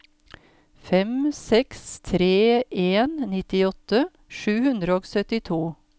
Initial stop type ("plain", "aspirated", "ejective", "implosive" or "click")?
plain